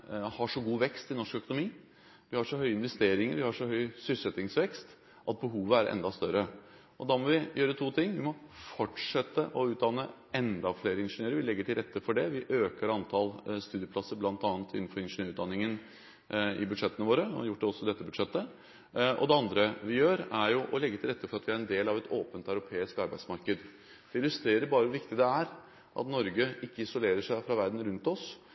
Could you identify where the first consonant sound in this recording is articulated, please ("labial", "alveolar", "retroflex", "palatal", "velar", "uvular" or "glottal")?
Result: glottal